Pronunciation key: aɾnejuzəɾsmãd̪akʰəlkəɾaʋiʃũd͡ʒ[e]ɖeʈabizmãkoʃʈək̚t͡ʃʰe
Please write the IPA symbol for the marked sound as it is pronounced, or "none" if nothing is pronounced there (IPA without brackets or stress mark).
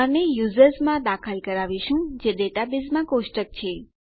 e